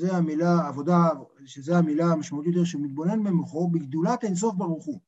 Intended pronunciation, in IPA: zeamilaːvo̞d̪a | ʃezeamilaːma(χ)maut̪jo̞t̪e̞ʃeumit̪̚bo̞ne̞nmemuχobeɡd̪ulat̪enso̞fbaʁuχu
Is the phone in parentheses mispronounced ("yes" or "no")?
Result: yes